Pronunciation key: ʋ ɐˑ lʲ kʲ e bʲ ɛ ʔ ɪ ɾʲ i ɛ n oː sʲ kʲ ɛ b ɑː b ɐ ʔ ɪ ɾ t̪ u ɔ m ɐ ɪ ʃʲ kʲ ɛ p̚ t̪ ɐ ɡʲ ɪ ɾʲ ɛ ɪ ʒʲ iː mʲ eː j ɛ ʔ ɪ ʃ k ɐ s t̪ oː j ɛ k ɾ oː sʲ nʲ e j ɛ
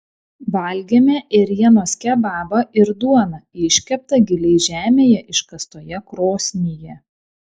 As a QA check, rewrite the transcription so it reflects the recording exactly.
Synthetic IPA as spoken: ʋ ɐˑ lʲ ɡʲ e mʲ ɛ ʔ ɪ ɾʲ i ɛ n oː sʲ kʲ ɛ b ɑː b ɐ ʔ ɪ ɾ d̪ u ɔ n ɐ ɪ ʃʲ kʲ ɛ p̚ t̪ ɐ ɡʲ ɪ lʲ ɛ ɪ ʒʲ æː mʲ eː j ɛ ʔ ɪ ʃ k ɐ s t̪ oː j ɛ k ɾ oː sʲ nʲ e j ɛ